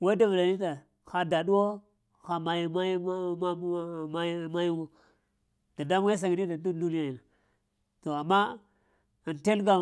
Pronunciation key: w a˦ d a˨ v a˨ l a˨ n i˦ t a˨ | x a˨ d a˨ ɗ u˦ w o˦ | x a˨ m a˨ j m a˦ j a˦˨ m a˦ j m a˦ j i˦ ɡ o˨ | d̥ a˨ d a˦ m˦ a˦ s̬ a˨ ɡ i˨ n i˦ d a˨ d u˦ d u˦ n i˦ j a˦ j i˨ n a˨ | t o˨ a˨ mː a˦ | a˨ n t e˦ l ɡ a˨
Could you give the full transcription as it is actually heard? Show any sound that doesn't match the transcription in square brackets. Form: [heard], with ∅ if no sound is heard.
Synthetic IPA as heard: w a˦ d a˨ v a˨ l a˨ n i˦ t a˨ | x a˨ d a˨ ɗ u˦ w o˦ | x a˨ m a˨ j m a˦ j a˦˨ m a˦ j m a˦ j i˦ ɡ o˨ | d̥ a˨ d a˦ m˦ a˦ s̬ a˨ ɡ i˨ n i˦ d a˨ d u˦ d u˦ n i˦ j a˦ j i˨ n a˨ | t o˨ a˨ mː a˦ | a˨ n t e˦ l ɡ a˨